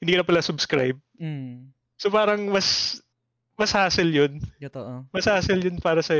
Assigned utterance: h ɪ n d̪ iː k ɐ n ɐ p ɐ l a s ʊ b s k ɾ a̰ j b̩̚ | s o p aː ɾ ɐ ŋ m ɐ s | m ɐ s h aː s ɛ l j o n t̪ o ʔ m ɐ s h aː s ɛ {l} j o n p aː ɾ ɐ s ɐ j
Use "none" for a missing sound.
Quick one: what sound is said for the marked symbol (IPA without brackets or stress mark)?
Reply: l